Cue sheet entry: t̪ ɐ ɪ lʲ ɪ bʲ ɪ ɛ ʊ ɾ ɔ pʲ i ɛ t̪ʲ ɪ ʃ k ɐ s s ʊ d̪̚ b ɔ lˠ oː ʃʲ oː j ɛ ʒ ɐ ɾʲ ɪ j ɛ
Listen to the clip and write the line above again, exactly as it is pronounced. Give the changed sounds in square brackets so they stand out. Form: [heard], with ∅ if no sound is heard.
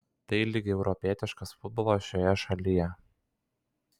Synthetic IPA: t̪ ɐ ɪ lʲ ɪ [ɡʲ] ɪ ɛ ʊ ɾ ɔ pʲ i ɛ t̪ʲ ɪ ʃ k ɐ s [f] ʊ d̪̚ b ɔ lˠ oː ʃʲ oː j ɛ [ʃ] ɐ [lʲ] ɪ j ɛ